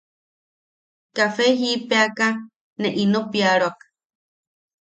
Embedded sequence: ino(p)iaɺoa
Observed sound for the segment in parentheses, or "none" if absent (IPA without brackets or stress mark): p